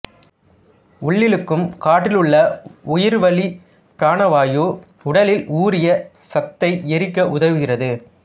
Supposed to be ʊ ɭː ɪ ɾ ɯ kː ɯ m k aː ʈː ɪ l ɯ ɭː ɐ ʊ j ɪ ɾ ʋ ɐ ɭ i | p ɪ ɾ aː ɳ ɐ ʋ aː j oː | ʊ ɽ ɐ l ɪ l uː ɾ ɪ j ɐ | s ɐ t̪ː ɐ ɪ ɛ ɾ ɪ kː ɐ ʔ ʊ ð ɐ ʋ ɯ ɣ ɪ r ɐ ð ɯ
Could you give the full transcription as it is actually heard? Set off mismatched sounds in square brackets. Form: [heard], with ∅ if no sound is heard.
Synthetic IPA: ʊ ɭː ɪ [l] ɯ kː ɯ m k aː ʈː ɪ l ɯ ɭː ɐ ʊ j ɪ ɾ ʋ ɐ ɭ i | p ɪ ɾ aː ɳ ɐ ʋ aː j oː | ʊ ɽ ɐ l ɪ l uː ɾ ɪ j ɐ | s ɐ t̪ː ɐ ɪ ɛ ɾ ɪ kː ɐ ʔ ʊ ð ɐ ʋ ɯ ɣ ɪ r ɐ ð ɯ

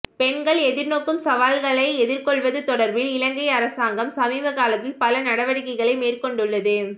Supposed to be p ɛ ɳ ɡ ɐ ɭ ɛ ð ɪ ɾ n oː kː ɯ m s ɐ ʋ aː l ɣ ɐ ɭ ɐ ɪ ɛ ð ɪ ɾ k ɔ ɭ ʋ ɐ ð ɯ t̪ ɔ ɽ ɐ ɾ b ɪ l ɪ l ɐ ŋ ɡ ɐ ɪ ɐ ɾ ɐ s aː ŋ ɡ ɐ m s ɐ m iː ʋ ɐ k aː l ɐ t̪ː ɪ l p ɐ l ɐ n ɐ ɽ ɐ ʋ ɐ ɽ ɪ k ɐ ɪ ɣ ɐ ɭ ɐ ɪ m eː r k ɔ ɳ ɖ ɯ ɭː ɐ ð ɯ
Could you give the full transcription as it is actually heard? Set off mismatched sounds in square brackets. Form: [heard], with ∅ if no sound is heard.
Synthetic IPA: p ɛ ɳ ɡ ɐ ɭ ɛ ð ɪ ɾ n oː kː ɯ m s ɐ ʋ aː l ɣ ɐ ɭ ɐ ɪ ɛ ð ɪ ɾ k ɔ ɭ ʋ ɐ ð ɯ t̪ ɔ ɽ ɐ ɾ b ɪ l ɪ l ɐ ŋ ɡ ɐ ɪ ɐ ɾ ɐ s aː ŋ ɡ ɐ m s ɐ m iː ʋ ɐ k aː l ɐ t̪ː ɪ l p ɐ l ɐ n ɐ ɽ ɐ ʋ ɐ ɽ ɪ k ɐ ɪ ɣ ɐ ɭ ɐ ɪ m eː r k ɔ ɳ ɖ ɯ ɭː ɐ ð ɯ

